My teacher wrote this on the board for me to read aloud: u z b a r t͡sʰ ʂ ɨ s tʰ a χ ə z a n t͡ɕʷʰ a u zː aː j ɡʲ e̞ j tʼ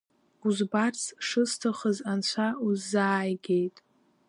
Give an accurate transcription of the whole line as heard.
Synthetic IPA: u z b a r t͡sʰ ʂ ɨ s tʰ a χ ə z a n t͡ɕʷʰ a u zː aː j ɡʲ e̞ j tʼ